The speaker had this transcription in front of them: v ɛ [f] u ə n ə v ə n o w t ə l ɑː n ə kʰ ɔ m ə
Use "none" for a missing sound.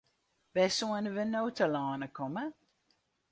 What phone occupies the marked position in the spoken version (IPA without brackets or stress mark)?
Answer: s